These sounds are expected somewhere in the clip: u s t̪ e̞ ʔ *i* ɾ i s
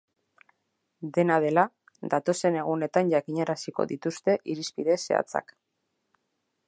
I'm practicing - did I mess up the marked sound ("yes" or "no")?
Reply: no